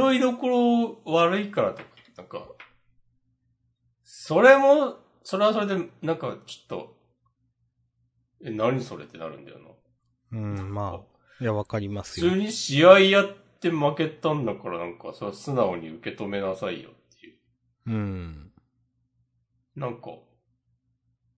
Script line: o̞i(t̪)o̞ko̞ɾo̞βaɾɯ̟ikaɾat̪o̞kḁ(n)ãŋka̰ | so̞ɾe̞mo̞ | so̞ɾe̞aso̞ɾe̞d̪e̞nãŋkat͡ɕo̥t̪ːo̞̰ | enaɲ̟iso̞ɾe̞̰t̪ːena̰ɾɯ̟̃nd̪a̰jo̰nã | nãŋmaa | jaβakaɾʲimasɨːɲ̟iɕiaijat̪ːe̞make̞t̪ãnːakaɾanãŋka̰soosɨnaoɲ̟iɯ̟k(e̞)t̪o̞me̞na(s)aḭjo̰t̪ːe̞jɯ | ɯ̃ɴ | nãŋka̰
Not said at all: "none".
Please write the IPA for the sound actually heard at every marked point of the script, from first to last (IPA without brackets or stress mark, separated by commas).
d̪, n, e̞, s